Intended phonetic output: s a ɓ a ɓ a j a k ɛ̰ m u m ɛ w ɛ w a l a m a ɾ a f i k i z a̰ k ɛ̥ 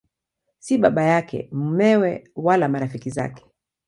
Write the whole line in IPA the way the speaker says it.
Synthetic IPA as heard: s i ɓ a ɓ a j a k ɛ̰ m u m ɛ w ɛ w a l a m a ɾ a f i k i z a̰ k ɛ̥